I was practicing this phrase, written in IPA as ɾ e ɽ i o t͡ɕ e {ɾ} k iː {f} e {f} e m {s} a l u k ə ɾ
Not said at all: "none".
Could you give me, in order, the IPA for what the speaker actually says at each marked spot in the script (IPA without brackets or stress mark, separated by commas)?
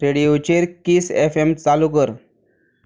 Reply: ɾ, s, f, t͡s